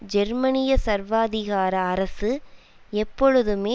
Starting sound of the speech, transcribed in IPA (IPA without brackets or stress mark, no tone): d͡ʒ